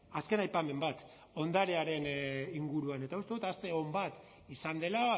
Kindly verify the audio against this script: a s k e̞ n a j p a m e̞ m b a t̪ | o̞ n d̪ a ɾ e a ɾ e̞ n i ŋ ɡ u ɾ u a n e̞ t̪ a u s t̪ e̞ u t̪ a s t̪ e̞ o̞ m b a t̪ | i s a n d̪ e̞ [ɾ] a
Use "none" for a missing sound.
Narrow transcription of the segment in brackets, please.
l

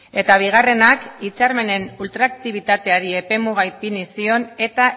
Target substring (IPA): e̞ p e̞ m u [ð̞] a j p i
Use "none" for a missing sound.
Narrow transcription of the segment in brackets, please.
ɣ̞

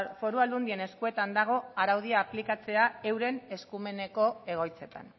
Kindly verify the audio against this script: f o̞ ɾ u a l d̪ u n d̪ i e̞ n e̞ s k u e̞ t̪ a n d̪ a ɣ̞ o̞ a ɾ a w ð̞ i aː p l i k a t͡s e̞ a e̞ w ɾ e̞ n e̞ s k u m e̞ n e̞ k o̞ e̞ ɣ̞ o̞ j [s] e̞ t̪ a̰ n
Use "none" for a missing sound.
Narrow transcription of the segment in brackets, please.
t͡s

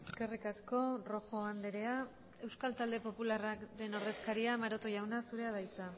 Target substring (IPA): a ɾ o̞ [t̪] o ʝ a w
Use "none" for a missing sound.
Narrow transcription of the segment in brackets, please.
t̪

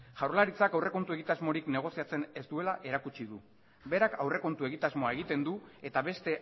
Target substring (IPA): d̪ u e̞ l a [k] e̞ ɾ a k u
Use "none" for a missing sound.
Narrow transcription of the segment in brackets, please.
ʔ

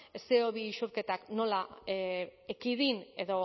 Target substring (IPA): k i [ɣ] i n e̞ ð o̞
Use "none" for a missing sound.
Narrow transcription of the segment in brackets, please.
ð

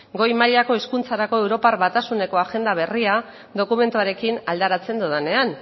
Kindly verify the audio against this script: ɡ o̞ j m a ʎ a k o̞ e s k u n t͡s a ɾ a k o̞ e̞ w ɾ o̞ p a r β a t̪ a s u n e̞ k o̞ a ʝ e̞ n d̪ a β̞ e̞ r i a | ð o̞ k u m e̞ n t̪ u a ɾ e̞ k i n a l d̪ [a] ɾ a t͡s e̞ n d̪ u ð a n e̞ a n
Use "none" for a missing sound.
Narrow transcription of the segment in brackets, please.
a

